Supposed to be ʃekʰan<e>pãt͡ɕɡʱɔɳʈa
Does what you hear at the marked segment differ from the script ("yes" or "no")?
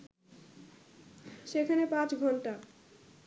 no